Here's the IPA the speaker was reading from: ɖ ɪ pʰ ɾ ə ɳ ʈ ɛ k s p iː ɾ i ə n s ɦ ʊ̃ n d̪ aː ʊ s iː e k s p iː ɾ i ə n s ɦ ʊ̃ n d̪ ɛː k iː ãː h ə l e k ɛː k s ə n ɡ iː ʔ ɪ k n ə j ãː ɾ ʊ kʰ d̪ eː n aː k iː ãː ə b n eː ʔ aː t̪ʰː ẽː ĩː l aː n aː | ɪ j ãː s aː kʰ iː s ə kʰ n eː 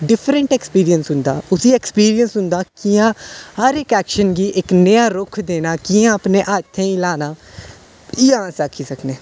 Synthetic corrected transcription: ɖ ɪ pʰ ɾ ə ɳ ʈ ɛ k s p iː ɾ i ə n s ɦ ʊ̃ n d̪ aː ʊ s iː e k s p iː ɾ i ə n s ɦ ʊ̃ n d̪ aː k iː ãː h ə ɾ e k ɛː k ʃ ə n ɡ iː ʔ ɪ k n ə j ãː ɾ ʊ kʰ d̪ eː n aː k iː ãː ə p n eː ʔ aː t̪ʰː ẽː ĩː l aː n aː | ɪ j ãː s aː kʰ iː s ə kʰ n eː